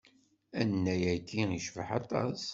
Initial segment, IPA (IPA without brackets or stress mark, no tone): æ